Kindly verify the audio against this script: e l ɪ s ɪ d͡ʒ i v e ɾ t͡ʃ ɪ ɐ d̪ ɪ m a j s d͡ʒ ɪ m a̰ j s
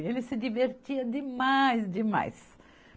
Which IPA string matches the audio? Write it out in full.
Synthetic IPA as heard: e l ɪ s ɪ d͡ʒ i v e ɾ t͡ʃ i ɐ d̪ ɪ m a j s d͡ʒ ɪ m a̰ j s